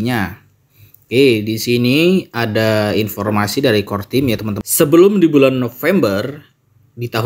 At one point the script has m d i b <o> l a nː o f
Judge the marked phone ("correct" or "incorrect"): incorrect